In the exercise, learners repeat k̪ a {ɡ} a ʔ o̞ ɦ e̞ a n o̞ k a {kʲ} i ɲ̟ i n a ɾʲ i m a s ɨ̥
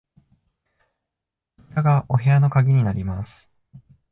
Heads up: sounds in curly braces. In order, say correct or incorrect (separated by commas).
correct, incorrect